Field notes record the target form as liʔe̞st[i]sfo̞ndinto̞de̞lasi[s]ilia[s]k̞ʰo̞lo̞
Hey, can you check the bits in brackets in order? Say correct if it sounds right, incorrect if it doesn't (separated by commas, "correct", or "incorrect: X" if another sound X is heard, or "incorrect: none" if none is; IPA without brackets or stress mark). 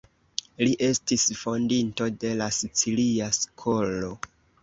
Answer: correct, incorrect: t͡s, correct